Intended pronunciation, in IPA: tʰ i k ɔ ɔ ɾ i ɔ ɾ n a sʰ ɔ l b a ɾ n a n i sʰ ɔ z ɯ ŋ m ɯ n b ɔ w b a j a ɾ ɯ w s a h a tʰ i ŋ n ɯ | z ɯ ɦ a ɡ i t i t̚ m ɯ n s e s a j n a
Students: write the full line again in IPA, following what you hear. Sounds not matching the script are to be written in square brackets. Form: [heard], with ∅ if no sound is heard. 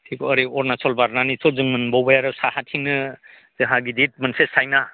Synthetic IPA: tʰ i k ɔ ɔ ɾ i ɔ ɾ n a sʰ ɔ l b a ɾ n a n i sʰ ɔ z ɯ ŋ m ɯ n b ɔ w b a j a ɾ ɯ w s a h a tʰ i ŋ n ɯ | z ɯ ɦ a ɡ i [d] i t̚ m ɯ n s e s a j n a